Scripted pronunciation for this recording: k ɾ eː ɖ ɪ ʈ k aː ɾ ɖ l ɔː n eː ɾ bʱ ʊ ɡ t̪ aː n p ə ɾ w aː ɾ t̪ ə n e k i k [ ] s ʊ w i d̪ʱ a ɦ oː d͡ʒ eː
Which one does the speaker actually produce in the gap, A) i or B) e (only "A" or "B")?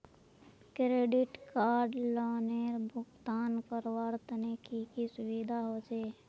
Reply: A